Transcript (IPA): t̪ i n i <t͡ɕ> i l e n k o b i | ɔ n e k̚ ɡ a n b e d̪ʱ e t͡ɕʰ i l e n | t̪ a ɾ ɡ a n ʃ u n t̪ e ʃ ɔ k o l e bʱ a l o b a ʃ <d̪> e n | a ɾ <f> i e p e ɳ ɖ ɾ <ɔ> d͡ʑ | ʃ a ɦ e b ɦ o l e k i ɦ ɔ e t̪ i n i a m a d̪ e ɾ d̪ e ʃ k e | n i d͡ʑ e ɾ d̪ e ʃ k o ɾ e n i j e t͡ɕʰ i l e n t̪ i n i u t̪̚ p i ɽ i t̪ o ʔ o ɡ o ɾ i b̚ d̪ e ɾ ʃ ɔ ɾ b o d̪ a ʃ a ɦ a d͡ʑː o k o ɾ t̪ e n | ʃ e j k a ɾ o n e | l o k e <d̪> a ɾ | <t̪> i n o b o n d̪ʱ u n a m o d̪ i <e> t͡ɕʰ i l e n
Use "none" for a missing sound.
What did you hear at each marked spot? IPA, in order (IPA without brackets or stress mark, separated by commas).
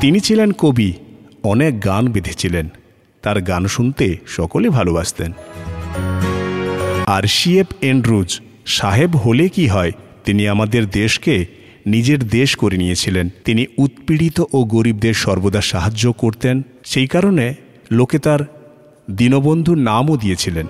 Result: t͡ɕʰ, t̪, ʃ, u, t̪, d̪, e